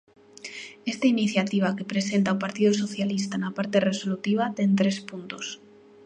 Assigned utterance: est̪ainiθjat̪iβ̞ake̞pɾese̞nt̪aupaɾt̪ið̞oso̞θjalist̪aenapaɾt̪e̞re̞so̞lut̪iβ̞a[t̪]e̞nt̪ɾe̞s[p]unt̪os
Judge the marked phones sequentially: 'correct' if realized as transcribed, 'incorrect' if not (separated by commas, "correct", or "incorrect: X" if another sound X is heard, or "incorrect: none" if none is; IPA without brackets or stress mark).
correct, correct